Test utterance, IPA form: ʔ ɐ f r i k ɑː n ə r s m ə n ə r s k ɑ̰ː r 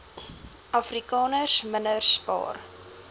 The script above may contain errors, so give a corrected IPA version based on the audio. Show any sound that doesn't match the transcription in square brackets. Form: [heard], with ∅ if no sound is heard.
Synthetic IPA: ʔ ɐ f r i k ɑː n ə r s m ə n ə r s [p] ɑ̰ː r